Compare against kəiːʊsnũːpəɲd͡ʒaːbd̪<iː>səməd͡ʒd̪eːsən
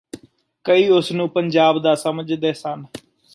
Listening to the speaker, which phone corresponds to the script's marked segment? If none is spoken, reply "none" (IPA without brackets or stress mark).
aː